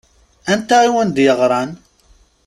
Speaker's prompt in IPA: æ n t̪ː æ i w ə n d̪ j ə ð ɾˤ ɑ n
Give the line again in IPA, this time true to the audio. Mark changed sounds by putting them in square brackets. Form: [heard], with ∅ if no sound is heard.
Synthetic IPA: æ n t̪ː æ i w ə n d̪ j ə [ʁ] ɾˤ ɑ n